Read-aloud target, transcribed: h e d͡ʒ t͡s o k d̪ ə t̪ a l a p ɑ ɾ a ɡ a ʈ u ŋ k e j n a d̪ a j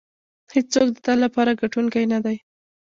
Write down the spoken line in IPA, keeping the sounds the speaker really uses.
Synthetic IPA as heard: h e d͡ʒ t͡s o k d̪ ə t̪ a l a p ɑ ɾ a ɡ a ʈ u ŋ k a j n a d̪ a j